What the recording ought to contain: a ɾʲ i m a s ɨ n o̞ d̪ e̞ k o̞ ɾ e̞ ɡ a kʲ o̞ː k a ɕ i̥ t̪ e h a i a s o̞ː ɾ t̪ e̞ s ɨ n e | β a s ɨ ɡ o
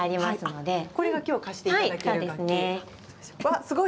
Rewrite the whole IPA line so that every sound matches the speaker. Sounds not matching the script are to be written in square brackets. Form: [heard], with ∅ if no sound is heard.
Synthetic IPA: a ɾʲ i m a s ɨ n o̞ d̪ e̞ k o̞ ɾ e̞ ɡ a kʲ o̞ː k a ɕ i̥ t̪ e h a i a s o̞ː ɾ [d̪] e̞ s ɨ n e | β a s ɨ ɡ o